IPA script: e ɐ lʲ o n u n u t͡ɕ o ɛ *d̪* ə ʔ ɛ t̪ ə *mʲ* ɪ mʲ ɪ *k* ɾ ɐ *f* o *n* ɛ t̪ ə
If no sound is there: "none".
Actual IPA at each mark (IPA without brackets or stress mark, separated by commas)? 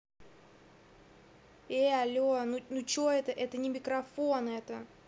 t̪, nʲ, k, f, n